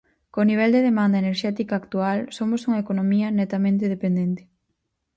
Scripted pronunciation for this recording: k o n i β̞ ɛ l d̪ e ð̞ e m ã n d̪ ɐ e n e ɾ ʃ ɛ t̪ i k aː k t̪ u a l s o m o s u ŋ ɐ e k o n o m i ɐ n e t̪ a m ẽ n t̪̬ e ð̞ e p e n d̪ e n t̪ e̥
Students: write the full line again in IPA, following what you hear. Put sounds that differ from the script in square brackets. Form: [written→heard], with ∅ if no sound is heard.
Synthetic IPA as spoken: k o n i β̞ ɛ l d̪ e ð̞ e m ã n d̪ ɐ e n e ɾ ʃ ɛ t̪ i k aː k t̪ u a l s o m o s u ŋ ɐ e k o n o m i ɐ n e t̪ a m ẽ n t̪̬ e ð̞ e p e n d̪ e n t̪ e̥